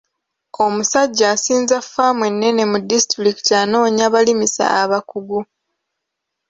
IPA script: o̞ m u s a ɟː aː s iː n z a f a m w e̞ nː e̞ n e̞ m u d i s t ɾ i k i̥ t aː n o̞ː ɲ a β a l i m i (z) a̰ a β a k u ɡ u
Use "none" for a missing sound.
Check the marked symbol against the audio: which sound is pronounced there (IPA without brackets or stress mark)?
s